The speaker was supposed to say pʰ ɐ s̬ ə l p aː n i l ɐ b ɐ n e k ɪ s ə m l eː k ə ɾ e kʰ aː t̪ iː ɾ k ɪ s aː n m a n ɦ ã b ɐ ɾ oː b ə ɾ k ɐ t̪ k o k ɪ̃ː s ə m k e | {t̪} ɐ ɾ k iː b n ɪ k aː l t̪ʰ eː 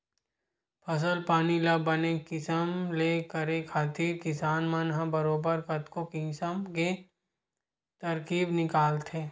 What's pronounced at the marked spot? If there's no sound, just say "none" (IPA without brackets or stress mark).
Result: t̪